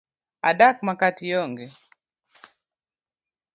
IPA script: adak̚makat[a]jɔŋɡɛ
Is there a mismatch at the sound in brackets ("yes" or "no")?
yes